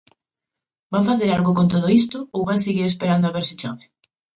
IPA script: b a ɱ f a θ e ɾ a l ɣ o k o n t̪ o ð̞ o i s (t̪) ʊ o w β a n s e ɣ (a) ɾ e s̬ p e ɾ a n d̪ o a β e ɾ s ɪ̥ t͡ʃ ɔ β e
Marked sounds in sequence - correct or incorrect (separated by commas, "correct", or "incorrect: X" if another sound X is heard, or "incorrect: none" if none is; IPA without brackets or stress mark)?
correct, incorrect: i